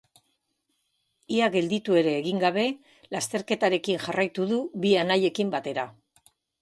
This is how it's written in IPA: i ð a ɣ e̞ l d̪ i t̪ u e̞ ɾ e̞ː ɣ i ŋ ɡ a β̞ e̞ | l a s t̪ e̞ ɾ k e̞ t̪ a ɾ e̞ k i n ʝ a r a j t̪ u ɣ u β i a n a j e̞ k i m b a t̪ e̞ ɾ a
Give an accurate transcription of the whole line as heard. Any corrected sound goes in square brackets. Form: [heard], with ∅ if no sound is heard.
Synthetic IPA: i [∅] a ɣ e̞ l d̪ i t̪ u e̞ ɾ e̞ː ɣ i ŋ ɡ a β̞ e̞ | l a s t̪ e̞ ɾ k e̞ t̪ a ɾ e̞ k i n ʝ a r a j t̪ u [ð] u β i a n a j e̞ k i m b a t̪ e̞ ɾ a